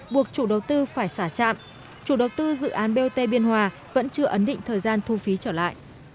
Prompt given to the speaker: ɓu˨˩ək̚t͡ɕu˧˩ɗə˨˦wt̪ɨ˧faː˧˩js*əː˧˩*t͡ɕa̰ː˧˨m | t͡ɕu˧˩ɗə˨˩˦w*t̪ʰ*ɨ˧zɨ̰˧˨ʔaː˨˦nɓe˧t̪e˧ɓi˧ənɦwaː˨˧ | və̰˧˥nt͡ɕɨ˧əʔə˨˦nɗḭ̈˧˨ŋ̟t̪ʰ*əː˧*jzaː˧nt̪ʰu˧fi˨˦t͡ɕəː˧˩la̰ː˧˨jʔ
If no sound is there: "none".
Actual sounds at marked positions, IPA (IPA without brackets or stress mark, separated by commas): aː˧˩, t̪, əː˨˩